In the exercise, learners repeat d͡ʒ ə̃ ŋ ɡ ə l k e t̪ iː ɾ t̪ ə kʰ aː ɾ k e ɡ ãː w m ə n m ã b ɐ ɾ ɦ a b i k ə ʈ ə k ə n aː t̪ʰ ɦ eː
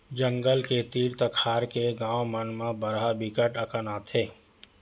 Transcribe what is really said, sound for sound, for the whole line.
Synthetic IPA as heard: d͡ʒ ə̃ ŋ ɡ ə l k e t̪ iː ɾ t̪ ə kʰ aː ɾ k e ɡ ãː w m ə n m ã b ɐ ɾ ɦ a b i k ə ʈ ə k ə n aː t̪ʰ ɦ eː